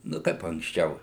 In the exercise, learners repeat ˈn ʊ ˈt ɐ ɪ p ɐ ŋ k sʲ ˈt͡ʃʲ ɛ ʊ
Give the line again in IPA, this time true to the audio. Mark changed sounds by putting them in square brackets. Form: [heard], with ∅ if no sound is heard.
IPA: ˈn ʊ [ˈk] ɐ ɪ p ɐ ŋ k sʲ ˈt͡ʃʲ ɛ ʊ